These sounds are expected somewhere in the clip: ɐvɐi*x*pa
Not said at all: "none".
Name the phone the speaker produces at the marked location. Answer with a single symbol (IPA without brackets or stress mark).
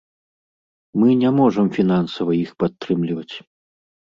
x